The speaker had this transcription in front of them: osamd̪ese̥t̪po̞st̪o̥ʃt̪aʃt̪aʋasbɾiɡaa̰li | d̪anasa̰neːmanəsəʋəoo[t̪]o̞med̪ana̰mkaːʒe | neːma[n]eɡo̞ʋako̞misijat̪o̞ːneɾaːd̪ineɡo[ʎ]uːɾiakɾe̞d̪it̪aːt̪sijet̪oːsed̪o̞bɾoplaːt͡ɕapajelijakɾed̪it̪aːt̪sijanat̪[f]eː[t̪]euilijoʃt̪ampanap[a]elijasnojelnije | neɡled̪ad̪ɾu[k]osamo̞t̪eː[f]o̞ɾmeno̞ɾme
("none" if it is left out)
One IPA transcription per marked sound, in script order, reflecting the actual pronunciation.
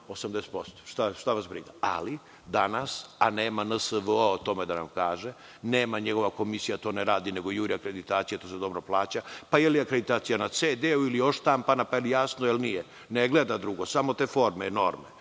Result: t̪, ɲ, j, s, d̪, a, ɡ, f

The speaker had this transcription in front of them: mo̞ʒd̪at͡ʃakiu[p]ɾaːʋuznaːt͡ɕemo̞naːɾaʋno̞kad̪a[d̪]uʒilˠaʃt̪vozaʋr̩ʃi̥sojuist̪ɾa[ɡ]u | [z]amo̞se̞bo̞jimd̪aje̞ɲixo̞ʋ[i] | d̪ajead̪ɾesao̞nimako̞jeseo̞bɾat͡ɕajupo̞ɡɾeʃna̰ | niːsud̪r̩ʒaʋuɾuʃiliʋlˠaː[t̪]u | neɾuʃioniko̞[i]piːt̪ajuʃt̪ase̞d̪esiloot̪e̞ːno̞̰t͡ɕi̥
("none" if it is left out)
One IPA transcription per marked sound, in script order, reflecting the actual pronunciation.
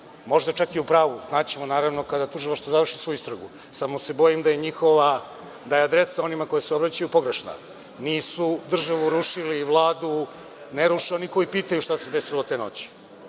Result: p, t̪, ɡ, s, a, d̪, i

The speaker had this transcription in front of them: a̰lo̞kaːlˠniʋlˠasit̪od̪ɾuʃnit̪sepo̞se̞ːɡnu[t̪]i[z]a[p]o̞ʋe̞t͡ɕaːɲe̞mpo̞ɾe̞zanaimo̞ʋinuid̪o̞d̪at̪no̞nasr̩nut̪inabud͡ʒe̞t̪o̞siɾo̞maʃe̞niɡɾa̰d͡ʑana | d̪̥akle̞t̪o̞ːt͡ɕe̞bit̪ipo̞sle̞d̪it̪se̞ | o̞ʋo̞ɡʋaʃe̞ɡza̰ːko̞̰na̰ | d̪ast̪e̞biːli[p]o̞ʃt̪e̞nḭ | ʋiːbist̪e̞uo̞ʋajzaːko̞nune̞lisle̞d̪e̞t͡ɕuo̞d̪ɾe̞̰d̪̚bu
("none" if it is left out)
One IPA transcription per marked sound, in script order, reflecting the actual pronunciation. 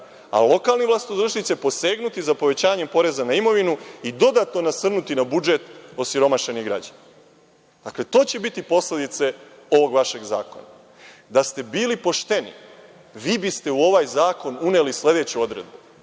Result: t̪, z, p, p

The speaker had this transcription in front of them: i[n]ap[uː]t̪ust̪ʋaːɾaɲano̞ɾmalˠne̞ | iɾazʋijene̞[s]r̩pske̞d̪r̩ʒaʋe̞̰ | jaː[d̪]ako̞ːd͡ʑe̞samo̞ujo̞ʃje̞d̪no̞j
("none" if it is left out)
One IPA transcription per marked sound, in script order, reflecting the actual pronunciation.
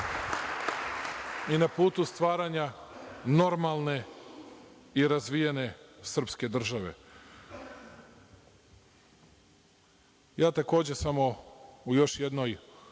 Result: n, uː, s, t̪

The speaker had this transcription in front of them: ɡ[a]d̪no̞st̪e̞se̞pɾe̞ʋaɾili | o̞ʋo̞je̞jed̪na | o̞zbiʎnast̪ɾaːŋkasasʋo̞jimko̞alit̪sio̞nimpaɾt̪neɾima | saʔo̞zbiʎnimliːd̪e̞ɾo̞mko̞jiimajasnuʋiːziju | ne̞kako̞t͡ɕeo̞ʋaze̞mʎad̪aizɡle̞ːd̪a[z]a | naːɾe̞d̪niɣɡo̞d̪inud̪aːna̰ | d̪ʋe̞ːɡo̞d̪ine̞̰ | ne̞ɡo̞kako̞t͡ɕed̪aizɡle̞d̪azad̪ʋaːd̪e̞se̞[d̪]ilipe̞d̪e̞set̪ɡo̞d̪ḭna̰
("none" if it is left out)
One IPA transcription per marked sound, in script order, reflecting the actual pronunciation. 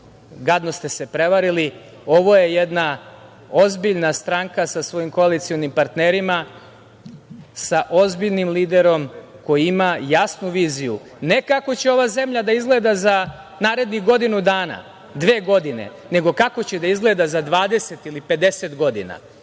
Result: a, z, t̪

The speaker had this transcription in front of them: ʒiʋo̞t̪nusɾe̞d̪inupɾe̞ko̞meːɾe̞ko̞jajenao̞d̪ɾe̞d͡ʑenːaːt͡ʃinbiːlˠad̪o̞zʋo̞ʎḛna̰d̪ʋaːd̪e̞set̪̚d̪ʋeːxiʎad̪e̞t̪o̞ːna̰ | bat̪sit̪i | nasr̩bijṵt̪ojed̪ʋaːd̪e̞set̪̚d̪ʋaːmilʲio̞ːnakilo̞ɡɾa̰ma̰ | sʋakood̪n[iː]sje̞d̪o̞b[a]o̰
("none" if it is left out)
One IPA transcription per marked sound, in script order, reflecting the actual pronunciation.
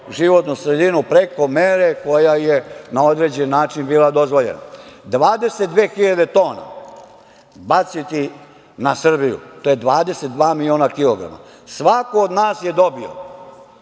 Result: aː, i

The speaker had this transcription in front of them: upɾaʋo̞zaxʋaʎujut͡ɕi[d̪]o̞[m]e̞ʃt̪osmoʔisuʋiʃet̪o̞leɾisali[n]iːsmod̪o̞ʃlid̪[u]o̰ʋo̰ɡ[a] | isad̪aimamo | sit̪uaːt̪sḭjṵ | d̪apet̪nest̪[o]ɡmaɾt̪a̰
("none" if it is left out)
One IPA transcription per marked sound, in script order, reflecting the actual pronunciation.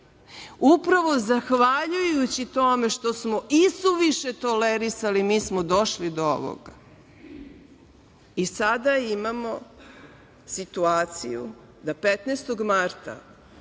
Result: t̪, m, m, o, a, o

